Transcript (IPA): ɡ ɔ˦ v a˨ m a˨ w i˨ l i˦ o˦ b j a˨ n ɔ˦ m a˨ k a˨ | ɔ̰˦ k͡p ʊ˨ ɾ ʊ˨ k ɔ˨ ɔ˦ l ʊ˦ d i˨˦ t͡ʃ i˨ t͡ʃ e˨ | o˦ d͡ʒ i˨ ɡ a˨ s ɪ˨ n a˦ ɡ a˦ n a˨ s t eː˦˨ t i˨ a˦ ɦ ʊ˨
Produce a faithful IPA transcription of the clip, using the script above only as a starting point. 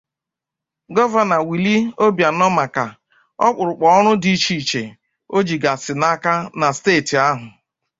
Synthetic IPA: ɡ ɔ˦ v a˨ n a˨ w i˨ l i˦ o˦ b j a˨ n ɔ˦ m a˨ k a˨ | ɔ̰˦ k͡p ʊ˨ ɾ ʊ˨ k͡p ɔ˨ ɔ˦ ɾ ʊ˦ d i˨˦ t͡ʃ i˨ t͡ʃ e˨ | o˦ d͡ʒ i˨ ɡ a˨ s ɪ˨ n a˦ k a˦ n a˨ s t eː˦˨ t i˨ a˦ ɦ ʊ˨